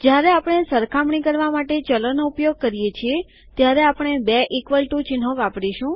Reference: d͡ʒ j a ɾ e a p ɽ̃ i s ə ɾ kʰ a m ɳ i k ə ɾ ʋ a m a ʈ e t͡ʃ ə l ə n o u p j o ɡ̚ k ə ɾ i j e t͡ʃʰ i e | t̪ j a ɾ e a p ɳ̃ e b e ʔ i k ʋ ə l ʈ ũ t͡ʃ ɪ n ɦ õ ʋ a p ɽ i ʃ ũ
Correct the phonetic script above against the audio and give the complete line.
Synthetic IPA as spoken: d͡ʒ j a ɾ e a p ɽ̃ e s ə ɾ kʰ a m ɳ i k ə ɾ ʋ a m a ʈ e t͡ʃ ə l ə n o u p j o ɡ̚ k ə ɾ i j e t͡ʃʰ i e | t̪ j a ɾ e a p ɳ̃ e b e ʔ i k ʋ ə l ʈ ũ t͡ʃ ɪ n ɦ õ ʋ a p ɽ i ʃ ũ